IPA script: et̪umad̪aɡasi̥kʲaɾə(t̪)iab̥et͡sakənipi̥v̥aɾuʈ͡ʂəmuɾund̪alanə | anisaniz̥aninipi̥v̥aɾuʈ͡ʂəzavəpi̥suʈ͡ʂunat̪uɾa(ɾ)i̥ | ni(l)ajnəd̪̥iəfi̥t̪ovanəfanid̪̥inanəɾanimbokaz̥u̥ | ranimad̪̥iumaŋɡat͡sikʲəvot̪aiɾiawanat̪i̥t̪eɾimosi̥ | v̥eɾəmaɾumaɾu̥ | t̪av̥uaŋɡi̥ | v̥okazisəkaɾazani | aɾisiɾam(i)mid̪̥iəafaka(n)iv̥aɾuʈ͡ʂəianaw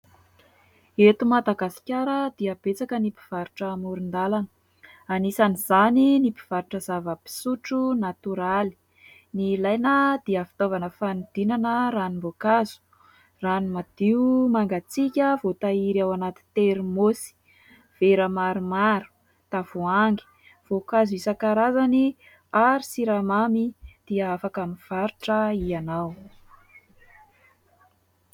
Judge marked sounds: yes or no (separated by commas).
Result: no, no, yes, no, no